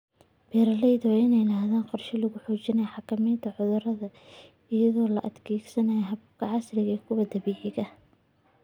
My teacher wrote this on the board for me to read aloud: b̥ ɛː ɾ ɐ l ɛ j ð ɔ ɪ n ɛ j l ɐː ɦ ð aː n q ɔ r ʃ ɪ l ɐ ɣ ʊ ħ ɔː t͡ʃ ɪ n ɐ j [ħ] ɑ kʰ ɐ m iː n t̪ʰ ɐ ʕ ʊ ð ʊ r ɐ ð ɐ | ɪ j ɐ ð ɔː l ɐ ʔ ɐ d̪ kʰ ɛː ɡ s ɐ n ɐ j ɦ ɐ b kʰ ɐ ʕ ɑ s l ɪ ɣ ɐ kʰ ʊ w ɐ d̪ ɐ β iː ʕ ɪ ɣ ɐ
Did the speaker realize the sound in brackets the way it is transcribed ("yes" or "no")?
yes